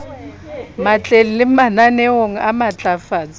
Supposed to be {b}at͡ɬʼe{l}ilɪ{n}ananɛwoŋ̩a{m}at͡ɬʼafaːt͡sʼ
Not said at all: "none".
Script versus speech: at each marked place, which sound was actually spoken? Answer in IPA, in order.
m, l, m, m

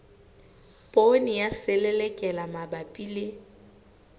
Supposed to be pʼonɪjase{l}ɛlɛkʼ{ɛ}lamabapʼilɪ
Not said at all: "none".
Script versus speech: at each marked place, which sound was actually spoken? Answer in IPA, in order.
l, ɛ

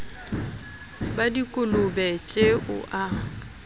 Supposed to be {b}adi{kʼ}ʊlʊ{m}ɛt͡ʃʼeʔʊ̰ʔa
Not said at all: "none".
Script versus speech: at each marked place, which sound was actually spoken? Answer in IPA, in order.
b, kʼ, b

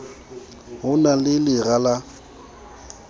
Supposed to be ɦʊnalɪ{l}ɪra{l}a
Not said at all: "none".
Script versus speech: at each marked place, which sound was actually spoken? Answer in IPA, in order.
l, l

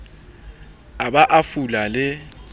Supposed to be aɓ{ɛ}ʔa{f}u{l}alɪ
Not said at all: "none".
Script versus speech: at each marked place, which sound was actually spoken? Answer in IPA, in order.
a, f, l

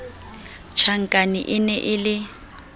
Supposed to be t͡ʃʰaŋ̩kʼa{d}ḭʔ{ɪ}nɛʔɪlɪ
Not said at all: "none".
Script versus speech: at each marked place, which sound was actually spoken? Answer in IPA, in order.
n, ɪ

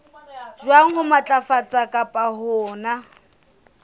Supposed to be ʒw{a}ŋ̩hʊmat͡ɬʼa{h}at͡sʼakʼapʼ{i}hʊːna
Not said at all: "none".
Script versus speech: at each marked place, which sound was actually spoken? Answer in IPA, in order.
a, f, a

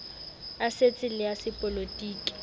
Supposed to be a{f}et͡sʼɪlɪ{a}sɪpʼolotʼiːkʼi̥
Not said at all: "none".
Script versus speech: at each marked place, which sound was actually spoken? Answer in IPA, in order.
s, a

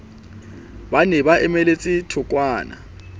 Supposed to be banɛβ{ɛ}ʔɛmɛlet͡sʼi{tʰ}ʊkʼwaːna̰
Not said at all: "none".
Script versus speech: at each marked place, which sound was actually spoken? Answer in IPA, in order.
a, tʰ

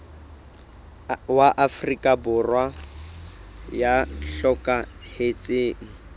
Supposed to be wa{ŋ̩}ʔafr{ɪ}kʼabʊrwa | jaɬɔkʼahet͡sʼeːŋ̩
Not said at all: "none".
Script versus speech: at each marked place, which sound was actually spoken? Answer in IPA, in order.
none, i

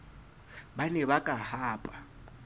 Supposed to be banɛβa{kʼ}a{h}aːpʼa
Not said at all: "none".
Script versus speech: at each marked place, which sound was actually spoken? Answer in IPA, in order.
kʼ, h

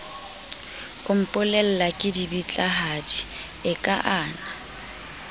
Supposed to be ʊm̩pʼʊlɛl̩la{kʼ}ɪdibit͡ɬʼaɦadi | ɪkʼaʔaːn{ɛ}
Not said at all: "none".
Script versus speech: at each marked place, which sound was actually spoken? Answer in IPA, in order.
kʼ, a

